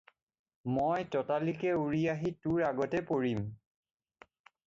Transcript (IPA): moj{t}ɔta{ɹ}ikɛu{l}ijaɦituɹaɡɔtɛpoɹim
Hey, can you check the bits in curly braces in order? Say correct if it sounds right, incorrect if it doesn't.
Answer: correct, incorrect: l, incorrect: ɹ

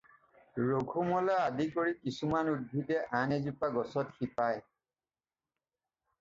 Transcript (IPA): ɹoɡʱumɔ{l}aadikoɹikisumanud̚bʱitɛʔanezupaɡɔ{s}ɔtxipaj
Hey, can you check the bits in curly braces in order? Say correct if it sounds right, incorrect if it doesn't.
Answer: correct, correct

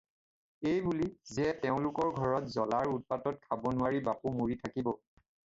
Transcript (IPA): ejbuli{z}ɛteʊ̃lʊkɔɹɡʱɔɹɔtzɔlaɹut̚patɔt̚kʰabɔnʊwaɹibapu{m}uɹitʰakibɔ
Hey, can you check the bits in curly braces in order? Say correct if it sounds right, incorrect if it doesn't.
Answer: correct, correct

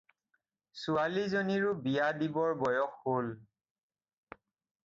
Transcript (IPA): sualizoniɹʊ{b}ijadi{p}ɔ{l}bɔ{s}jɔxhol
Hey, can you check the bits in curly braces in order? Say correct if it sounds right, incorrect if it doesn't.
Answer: correct, incorrect: b, incorrect: ɹ, incorrect: none

